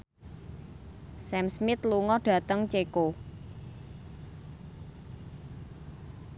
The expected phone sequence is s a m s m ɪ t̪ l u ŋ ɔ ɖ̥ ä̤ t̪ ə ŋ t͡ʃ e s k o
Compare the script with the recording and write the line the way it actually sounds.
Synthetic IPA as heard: s ɛ m s m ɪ t̪ l u ŋ ɔ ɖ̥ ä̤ t̪ ə ŋ t͡ʃ e k o